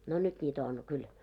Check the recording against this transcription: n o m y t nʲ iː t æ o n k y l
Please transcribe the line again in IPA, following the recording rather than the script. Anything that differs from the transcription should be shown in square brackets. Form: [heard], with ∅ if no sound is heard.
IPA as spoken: n o [n] y t nʲ iː t æ o n k y l